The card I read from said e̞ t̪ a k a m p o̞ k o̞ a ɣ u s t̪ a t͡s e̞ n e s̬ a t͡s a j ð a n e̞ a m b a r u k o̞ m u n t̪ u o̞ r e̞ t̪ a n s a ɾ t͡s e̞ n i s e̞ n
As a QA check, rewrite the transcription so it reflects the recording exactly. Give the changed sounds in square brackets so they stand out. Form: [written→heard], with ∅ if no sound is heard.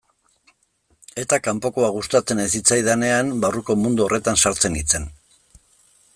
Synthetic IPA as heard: e̞ t̪ a k a m p o̞ k o̞ a ɣ u s t̪ a t͡s e̞ n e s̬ [a→i] t͡s a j ð a n e̞ a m b a r u k o̞ m u n [t̪→d̪] u o̞ r e̞ t̪ a n s a ɾ t͡s e̞ n i [s→t͡s] e̞ n